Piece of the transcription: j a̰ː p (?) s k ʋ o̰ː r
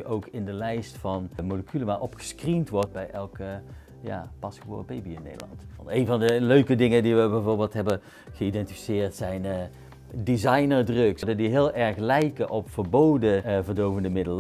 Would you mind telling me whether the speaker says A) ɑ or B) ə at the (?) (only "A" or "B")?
A